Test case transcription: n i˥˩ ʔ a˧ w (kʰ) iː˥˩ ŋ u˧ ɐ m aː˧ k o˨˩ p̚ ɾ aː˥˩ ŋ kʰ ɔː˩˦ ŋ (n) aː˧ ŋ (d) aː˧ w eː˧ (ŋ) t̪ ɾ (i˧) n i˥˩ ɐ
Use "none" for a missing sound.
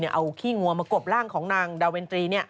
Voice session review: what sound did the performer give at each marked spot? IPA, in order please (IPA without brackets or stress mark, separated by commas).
kʰ, n, d, n, iː˧